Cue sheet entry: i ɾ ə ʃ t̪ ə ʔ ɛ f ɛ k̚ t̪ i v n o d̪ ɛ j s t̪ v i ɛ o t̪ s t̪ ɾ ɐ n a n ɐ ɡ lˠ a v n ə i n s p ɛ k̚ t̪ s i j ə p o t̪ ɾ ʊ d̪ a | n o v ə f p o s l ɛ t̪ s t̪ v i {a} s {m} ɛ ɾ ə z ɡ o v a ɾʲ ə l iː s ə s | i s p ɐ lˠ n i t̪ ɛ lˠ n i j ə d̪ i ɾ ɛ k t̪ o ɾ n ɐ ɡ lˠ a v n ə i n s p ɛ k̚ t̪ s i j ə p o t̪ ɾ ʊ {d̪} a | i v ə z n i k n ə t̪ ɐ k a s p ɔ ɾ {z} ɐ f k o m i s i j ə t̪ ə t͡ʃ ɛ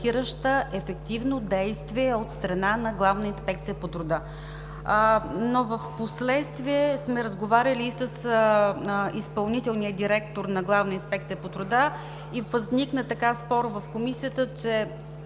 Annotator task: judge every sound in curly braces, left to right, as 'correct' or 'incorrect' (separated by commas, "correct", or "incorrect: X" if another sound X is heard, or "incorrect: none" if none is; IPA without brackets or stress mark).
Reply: incorrect: ɛ, correct, correct, incorrect: v